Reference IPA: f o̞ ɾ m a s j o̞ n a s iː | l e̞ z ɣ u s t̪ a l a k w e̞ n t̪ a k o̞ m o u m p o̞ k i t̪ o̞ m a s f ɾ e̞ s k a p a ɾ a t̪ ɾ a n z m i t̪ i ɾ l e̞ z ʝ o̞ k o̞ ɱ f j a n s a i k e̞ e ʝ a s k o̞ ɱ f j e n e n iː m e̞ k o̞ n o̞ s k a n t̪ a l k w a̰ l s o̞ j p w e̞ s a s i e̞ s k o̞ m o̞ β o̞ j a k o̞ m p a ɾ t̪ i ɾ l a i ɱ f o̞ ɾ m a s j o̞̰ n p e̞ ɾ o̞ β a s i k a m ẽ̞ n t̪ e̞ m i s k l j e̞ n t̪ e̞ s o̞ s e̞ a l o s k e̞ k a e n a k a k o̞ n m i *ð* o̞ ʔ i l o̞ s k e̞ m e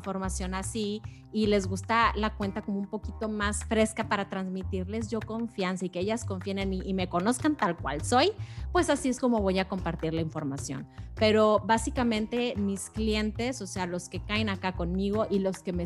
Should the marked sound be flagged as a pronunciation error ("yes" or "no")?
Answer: yes